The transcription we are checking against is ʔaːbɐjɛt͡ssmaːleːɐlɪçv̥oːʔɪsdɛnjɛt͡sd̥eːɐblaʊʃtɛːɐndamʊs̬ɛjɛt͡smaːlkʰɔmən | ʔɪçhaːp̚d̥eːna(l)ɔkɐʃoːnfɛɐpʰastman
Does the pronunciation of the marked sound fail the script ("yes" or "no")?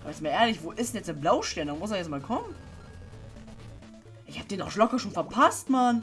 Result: no